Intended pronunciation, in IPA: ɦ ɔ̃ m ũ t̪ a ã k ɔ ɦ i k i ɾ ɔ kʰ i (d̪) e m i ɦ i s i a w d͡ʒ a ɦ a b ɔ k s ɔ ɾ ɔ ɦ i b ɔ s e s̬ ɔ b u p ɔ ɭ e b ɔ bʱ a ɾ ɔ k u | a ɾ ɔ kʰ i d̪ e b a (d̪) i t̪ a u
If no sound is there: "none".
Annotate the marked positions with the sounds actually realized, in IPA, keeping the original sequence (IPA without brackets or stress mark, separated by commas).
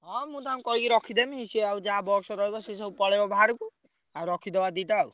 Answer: d̪, d̪